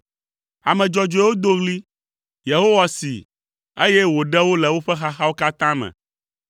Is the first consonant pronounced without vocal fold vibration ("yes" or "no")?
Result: no